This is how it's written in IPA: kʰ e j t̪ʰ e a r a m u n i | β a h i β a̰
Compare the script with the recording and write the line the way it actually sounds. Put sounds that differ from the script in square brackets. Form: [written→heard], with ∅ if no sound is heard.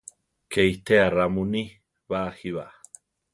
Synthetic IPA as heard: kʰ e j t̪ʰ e a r a m u n i | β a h i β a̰